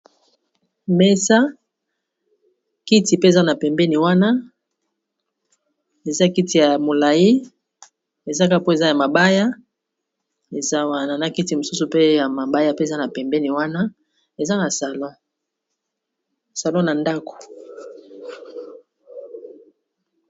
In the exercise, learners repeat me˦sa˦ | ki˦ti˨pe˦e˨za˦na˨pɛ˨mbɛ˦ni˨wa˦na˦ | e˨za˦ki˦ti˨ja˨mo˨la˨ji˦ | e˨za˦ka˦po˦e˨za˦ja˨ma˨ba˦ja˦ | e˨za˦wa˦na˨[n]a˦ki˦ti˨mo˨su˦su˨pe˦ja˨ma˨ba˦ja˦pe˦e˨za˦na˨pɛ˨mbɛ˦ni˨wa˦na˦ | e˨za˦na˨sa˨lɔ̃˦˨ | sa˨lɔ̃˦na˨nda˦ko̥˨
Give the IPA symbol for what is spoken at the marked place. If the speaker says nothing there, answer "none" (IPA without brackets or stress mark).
n